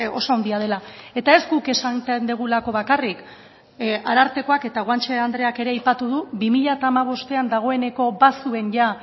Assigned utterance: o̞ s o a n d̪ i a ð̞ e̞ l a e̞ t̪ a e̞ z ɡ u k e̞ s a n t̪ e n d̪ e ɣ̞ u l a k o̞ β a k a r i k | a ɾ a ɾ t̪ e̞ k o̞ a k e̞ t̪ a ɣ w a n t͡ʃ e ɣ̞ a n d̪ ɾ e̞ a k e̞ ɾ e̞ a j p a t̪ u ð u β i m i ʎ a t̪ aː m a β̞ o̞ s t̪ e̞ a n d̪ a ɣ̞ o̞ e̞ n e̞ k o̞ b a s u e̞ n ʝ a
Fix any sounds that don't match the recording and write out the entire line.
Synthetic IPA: o̞ s o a n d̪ i a ð̞ e̞ l a e̞ t̪ a e̞ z ɡ u k e̞ s a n t̪ e n d̪ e ɣ̞ u l a k o̞ β a k a r i k | a ɾ a ɾ t̪ e̞ k o̞ a k e̞ t̪ a ɣ w a n t͡ʃ e a n d̪ ɾ e̞ a k e̞ ɾ e̞ a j p a t̪ u ð u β i m i ʎ a t̪ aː m a β̞ o̞ s t̪ e̞ a n d̪ a ɣ̞ o̞ e̞ n e̞ k o̞ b a s u e̞ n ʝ a

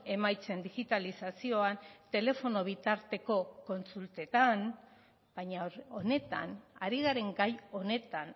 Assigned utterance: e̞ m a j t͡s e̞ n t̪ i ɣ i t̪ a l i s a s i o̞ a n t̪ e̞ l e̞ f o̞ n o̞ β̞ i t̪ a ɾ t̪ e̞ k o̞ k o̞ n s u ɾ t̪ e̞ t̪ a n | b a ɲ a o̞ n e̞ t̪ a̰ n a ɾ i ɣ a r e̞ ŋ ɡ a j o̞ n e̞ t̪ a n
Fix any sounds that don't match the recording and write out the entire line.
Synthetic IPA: e̞ m a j t͡s e̞ n d̪ i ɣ i t̪ a l i s a s i o̞ a n t̪ e̞ l e̞ f o̞ n o̞ β̞ i t̪ a ɾ t̪ e̞ k o̞ k o̞ n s u l t̪ e̞ t̪ a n | b a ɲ a o̞ n e̞ t̪ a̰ n a ɾ i ɣ a ɾ e̞ ŋ ɡ a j o̞ n e̞ t̪ a n

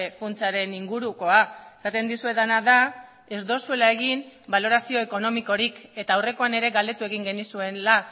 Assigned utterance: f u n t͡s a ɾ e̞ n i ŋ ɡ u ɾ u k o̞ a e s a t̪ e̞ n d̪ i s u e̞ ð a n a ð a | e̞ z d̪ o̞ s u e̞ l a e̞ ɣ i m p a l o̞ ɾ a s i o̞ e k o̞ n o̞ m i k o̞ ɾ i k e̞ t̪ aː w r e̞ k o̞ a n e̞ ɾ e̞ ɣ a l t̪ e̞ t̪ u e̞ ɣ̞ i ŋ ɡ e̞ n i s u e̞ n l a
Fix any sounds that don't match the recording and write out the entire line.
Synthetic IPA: f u n t͡s a ɾ e̞ n i ŋ ɡ u ɾ u k o̞ a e s a t̪ e̞ n d̪ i s u e̞ ð a n a ð a | e̞ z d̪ o̞ s u e̞ l a e̞ ɣ i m b a l o̞ ɾ a s i o̞ e k o̞ n o̞ m i k o̞ ɾ i k e̞ t̪ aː w r e̞ k o̞ a n e̞ ɾ e̞ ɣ a l d̪ e̞ t̪ u e̞ ɣ̞ i ŋ ɡ e̞ n i s u e̞ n l a

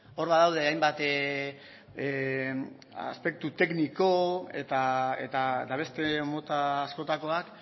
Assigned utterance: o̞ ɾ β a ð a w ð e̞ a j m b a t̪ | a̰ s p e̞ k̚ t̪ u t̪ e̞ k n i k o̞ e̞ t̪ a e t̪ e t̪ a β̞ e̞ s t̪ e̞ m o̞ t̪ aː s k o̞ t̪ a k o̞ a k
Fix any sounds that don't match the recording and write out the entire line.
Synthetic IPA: o̞ ɾ β a ð a w ð e̞ a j m b a t̪ | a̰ s p e̞ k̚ t̪ u t̪ e̞ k n i k o̞ e̞ t̪ a e t̪ a t̪ a β̞ e̞ s t̪ e̞ m o̞ t̪ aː s k o̞ t̪ a k o̞ a k

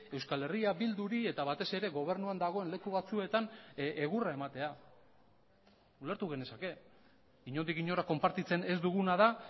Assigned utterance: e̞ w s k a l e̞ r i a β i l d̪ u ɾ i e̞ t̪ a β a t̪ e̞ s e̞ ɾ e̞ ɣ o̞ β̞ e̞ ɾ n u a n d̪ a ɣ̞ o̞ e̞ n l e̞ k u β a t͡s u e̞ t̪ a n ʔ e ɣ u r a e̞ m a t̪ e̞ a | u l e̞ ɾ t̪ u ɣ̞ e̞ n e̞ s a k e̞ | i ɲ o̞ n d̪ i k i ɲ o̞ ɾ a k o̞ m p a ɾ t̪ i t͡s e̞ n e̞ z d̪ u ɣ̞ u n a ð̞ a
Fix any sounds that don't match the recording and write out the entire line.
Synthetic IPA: e̞ w s k a l e̞ r i a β i l d̪ u ɾ i e̞ t̪ a β a t̪ e̞ s e̞ ɾ e̞ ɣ o̞ β̞ e̞ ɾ n u a n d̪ a ɣ̞ o̞ e̞ n l e̞ k u β a t͡s u e̞ t̪ a n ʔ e ɣ u r a e̞ m a t̪ e̞ a | u l e̞ ɾ t̪ u ɣ̞ e̞ n e̞ s a k e̞ | i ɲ o̞ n d̪ i k i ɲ o̞ ɾ a k o̞ m p a ɾ t̪ i t͡s e̞ n e̞ z d̪ u ɣ̞ u n a ð̞ a

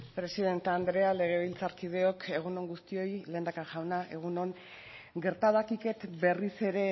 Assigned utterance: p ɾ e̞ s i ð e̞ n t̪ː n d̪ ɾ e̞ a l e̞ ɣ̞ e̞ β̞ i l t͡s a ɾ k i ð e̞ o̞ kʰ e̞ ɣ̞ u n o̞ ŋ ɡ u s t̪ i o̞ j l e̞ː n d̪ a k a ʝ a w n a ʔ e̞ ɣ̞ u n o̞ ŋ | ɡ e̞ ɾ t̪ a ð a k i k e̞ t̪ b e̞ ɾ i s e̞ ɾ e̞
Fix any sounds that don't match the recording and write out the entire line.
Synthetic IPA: p ɾ e̞ s i ð e̞ n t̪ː n d̪ ɾ e̞ a l e̞ ɣ̞ e̞ β̞ i l t͡s a ɾ k i ð e̞ o̞ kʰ e̞ ɣ̞ u n o̞ ŋ ɡ u s t̪ i o̞ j l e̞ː n d̪ a k a ʝ a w n a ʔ e̞ ɣ̞ u n o̞ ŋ | ɡ e̞ ɾ t̪ a ð a k i k e̞ t̪ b e̞ r i s e̞ ɾ e̞

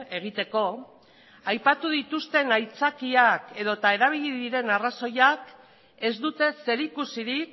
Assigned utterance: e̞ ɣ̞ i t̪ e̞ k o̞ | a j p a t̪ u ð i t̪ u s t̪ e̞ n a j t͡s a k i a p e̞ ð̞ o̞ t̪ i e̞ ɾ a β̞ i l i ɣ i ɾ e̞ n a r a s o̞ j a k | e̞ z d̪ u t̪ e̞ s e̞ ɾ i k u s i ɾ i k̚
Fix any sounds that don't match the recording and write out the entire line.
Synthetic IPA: e̞ ɣ̞ i t̪ e̞ k o̞ | a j p a t̪ u ð i t̪ u s t̪ e̞ n a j t͡s a k i a k e̞ ð̞ o̞ t̪ a e̞ ɾ a β̞ i ʎ i ð i ɾ e̞ n a r a s o̞ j a k | e̞ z d̪ u t̪ e̞ s e̞ ɾ i k u s i ɾ i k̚

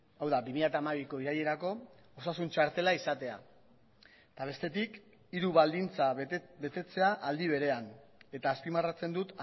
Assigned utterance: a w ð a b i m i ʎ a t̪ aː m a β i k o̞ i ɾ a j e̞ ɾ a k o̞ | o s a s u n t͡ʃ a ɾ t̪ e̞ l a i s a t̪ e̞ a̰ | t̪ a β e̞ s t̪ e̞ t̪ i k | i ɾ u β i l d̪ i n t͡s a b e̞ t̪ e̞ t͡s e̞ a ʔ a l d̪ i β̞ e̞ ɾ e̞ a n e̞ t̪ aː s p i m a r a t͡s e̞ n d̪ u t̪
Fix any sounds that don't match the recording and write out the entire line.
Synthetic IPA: a w ð a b i m i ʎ a t̪ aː m a β i k o̞ i ɾ a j e̞ ɾ a k o̞ | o s a s u n t͡ʃ a ɾ t̪ e̞ l a i s a t̪ e̞ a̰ | t̪ a β e̞ s t̪ e̞ t̪ i k | i ɾ u β a l d̪ i n t͡s a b e̞ t̪ e̞ t͡s e̞ a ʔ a l d̪ i β̞ e̞ ɾ e̞ a n e̞ t̪ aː s p i m a r a t͡s e̞ n d̪ u t̪

